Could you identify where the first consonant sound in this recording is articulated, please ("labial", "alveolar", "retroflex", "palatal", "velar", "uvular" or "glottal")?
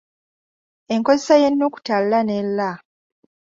velar